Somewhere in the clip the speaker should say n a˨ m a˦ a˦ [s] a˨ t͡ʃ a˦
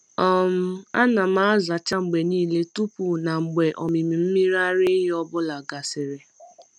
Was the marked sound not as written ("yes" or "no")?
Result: yes